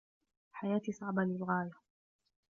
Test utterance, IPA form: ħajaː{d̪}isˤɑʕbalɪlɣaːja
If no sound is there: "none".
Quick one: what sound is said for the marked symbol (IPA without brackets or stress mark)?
t̪